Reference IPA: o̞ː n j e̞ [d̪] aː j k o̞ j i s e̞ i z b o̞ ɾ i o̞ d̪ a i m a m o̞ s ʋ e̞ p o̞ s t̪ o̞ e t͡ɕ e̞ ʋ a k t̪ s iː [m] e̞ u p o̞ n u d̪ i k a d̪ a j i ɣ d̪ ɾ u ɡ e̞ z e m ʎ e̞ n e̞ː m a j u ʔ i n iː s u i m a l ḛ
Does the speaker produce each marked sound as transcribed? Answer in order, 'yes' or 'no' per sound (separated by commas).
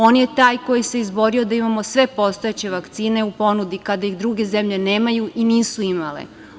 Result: no, no